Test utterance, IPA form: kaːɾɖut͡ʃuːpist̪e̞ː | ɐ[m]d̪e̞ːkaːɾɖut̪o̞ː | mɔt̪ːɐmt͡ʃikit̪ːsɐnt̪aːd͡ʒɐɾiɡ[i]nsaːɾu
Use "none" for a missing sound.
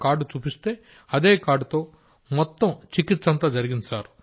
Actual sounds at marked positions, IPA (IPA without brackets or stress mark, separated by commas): none, i